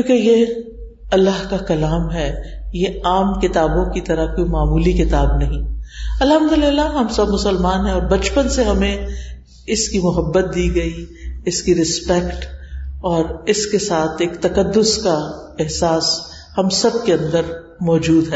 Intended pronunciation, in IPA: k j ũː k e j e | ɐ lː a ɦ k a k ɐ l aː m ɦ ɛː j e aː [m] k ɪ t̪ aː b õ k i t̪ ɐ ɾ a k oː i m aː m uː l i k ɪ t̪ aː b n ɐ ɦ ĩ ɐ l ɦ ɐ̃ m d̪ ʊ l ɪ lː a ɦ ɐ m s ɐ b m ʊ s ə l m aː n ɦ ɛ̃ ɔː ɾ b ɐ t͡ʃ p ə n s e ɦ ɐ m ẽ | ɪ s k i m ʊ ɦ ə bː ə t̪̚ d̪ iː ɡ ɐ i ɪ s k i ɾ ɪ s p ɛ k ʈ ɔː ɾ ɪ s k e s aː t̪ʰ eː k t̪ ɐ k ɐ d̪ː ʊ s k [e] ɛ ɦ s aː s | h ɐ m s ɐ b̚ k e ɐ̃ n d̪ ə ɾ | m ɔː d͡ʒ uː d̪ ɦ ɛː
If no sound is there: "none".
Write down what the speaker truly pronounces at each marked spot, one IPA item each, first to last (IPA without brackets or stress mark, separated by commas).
m, a